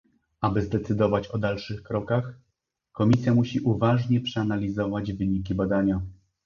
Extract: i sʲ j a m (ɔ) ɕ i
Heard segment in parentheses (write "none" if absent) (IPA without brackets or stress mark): u